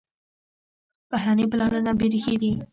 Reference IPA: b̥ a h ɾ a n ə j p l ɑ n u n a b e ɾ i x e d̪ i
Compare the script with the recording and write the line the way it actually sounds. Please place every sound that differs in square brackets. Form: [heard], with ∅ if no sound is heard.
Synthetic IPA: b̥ a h ɾ a n ə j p l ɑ n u n a b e ɾ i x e d̪ i